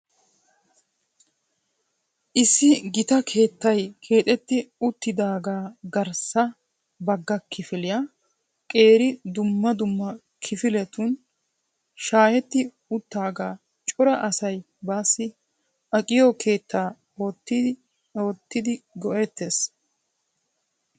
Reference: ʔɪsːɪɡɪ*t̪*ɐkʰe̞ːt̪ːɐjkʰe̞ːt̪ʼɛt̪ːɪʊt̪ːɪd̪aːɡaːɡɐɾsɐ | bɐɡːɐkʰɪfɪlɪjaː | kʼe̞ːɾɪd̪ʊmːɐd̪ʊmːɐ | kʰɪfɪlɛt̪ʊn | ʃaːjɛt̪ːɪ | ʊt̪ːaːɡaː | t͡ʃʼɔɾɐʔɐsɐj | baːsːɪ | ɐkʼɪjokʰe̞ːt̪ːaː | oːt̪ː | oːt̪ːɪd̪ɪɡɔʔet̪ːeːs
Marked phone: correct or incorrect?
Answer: correct